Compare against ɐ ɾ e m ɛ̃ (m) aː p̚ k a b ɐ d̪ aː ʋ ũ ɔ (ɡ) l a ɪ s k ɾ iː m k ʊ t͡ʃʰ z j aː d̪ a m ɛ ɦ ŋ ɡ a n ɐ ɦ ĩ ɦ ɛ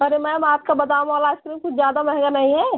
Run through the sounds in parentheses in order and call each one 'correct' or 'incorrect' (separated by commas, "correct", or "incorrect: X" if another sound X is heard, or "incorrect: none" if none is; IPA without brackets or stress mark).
correct, incorrect: none